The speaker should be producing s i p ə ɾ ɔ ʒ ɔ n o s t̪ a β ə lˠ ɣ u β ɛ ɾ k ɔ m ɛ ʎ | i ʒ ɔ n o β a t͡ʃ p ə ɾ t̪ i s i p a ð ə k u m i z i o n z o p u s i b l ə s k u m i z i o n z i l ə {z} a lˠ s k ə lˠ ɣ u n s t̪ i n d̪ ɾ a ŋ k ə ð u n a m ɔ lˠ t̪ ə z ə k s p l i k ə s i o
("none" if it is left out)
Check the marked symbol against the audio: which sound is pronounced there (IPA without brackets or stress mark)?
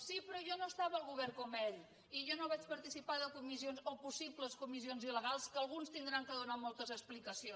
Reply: ɣ